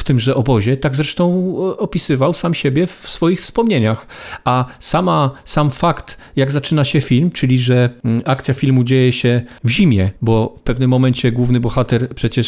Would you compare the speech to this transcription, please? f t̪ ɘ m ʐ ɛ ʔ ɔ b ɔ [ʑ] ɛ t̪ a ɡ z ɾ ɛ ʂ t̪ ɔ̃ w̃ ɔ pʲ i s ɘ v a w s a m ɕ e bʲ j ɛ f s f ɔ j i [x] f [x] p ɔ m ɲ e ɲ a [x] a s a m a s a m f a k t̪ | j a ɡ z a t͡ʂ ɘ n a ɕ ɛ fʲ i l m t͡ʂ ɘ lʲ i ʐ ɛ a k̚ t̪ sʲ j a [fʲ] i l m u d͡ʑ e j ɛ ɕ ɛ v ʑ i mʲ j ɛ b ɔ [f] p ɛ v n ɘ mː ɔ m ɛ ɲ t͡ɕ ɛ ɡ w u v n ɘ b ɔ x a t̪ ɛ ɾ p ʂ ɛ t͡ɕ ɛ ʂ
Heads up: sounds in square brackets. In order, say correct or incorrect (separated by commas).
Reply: correct, correct, incorrect, correct, correct, correct